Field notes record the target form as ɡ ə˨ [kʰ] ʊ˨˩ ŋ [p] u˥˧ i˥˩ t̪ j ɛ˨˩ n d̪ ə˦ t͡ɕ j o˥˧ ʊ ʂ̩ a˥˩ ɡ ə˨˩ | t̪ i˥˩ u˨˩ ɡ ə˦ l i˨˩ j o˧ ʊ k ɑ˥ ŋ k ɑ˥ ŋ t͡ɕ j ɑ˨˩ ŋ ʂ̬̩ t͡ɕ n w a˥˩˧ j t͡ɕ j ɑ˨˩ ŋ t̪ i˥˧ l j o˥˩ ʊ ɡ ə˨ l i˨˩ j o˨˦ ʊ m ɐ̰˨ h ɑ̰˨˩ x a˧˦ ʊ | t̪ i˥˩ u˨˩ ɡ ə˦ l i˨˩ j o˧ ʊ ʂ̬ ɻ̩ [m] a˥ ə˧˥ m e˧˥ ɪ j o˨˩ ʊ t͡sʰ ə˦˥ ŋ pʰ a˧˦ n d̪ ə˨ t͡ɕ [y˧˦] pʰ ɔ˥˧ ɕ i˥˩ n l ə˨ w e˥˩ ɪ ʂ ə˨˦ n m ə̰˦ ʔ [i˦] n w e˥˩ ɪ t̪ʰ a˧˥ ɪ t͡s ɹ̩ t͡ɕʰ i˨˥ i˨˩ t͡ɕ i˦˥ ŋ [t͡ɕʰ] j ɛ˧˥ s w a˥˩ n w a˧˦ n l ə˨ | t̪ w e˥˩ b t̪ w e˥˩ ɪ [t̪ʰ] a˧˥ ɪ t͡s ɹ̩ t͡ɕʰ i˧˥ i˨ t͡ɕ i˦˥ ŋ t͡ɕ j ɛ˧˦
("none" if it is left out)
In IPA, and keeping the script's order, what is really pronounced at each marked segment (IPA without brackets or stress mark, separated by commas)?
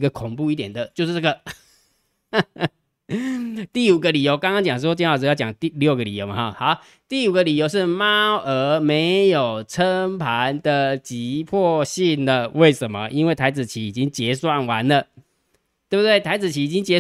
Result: kʰ, p, m, i˧˦, i˦, t͡ɕ, t̪ʰ